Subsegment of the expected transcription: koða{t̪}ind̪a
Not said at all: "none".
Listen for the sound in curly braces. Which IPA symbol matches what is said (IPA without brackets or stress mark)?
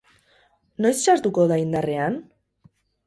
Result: none